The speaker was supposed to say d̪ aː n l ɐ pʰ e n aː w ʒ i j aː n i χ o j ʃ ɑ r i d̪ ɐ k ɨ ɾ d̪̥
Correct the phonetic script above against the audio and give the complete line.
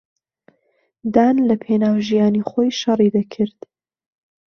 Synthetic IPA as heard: d̪ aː n l ɐ pʰ e n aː w ʒ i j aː n i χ o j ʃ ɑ r i d̪ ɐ kʰ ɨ ɾ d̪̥